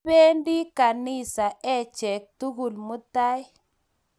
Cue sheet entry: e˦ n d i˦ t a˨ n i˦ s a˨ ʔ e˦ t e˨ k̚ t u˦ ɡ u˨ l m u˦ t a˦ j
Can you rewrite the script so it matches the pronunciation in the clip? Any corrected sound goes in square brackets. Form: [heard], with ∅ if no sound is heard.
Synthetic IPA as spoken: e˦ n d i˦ [k] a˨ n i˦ s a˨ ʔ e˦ [t͡ʃ] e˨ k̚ t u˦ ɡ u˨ l m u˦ t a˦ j

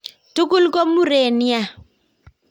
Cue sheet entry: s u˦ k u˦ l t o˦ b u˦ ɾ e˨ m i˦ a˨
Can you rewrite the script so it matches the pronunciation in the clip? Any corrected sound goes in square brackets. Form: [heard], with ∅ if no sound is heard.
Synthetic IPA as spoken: [t] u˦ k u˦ l [k] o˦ [m] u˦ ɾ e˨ [n] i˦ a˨

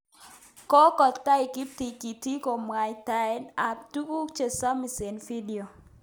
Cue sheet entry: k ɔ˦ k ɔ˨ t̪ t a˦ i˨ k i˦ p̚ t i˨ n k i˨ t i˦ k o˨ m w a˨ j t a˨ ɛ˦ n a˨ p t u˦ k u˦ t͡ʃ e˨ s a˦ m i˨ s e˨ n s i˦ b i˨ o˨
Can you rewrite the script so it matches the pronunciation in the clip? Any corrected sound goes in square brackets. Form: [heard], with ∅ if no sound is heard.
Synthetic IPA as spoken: k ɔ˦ k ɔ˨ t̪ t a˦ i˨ k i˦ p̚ t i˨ [∅] k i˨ t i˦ k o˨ m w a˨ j t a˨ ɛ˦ n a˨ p t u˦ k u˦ t͡ʃ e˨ s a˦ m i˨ s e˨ n [f] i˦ [d] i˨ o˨

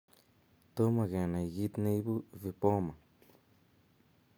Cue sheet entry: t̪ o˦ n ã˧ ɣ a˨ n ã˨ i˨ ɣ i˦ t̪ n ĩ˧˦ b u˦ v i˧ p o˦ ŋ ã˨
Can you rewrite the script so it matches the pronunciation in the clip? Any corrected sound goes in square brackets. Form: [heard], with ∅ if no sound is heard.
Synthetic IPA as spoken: t̪ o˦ [m] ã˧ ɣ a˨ n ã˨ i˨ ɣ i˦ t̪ n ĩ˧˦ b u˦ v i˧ p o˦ [m] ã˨

